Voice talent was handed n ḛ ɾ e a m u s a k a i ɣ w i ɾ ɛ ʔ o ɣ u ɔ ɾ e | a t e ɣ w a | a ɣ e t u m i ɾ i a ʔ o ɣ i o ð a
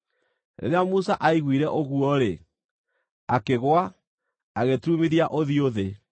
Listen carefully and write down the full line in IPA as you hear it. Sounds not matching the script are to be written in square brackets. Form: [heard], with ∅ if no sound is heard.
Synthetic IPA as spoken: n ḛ ɾ e a m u s a [ʔ] a i ɣ w i ɾ ɛ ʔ o ɣ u ɔ ɾ e | a [k] e ɣ w a | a ɣ e t u m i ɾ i a ʔ o [ð] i o ð [e]